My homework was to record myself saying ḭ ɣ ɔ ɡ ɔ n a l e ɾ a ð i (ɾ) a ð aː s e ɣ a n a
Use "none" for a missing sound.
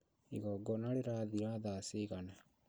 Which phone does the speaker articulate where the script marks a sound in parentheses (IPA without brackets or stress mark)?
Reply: ɾ